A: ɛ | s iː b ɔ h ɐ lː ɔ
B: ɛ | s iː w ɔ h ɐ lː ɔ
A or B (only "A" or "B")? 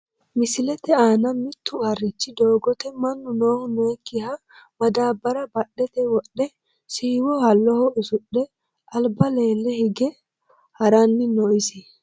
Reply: B